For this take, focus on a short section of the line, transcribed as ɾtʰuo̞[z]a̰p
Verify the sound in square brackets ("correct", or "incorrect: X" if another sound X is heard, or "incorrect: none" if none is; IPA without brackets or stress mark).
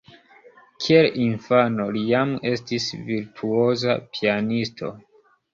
correct